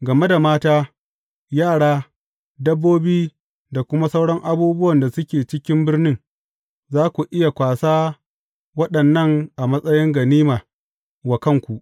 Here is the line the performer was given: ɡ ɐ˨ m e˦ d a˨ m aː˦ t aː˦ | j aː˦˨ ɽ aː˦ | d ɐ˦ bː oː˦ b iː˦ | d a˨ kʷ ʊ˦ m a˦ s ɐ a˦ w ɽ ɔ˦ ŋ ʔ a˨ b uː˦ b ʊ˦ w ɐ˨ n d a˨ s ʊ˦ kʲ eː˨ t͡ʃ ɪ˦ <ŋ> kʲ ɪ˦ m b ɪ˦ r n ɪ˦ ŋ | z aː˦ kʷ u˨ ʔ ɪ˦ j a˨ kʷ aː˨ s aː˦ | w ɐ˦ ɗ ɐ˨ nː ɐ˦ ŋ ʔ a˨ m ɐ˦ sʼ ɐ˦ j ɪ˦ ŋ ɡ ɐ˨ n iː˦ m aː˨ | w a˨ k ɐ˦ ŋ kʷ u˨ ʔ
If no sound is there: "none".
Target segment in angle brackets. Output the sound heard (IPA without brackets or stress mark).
none